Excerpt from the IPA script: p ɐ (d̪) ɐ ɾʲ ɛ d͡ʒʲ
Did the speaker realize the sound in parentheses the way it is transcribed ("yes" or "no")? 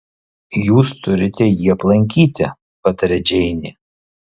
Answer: no